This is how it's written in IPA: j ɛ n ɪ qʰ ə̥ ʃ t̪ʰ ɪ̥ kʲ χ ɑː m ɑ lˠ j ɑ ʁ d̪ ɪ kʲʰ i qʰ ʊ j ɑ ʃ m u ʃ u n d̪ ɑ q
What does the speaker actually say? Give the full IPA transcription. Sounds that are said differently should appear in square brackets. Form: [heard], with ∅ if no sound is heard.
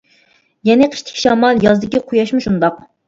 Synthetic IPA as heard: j ɛ n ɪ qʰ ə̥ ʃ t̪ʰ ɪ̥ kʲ [ʃ] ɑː m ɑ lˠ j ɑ [z] d̪ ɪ [kʲ] i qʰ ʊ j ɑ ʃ m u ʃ u n d̪ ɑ q